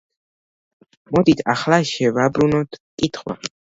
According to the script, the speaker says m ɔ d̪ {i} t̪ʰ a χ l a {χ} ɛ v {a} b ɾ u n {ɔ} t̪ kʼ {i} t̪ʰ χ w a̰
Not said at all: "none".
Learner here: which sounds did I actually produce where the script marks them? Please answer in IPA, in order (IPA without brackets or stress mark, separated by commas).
i, ʃ, a, ɔ, i